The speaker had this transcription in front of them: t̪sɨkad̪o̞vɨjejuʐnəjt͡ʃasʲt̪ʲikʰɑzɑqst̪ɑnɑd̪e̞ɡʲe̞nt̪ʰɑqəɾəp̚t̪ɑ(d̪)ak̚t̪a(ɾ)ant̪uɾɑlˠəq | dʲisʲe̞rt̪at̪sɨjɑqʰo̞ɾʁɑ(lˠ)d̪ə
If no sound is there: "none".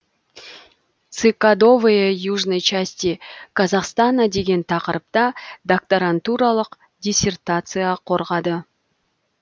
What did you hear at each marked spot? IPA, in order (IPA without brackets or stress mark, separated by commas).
d̪, ɾ, none